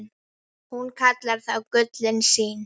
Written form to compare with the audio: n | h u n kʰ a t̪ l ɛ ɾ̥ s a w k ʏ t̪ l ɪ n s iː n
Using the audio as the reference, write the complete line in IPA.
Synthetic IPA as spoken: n | h u n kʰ a t̪ l a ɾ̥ θ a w k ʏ t̪ l ɪ n s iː n